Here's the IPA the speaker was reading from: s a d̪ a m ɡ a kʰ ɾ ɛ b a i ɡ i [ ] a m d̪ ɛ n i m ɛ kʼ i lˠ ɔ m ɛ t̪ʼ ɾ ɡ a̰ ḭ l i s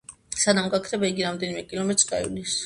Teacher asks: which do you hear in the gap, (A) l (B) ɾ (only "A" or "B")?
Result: B